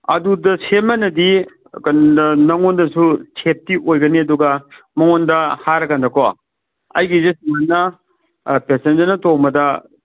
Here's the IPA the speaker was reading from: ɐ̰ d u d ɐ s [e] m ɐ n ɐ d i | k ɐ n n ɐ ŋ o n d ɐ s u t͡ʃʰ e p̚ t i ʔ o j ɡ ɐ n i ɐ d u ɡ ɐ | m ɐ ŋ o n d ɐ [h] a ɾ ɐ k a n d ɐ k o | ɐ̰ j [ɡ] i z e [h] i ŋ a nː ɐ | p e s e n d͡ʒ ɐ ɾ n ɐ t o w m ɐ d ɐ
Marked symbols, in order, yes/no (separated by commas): yes, yes, yes, no